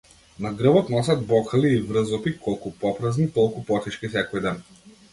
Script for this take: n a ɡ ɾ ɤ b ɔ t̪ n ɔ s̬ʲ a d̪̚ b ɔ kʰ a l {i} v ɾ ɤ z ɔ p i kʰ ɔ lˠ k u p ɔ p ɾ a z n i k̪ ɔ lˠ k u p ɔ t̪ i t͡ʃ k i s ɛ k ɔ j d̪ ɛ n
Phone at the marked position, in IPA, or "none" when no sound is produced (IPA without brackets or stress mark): iː